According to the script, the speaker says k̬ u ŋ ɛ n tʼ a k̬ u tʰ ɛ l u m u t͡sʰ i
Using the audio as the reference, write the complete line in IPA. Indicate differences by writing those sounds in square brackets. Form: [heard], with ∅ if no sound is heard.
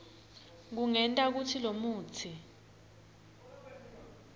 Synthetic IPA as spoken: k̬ u ŋ ɛ n tʼ a k̬ u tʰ [i] l [o] m [uː] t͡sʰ i